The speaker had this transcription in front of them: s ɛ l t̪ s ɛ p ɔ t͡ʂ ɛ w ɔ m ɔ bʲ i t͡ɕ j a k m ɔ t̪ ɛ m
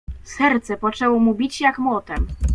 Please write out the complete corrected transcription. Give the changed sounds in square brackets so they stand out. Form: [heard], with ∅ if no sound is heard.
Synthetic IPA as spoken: s ɛ [ɾ] t̪ s ɛ p ɔ t͡ʂ ɛ w ɔ m [u] bʲ i t͡ɕ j a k m ɔ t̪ ɛ m